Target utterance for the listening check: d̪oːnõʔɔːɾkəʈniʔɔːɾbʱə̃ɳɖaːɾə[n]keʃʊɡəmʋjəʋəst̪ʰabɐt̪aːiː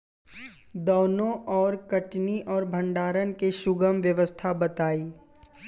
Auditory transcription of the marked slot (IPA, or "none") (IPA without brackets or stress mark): n